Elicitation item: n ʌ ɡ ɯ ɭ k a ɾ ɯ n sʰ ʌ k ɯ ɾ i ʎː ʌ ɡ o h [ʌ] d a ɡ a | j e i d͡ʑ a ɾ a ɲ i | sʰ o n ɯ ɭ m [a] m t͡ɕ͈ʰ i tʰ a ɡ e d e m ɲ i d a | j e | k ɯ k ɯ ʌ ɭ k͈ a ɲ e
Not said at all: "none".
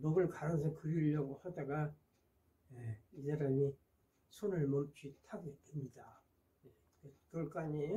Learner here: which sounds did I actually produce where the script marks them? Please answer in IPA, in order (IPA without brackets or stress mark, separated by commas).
a, ʌ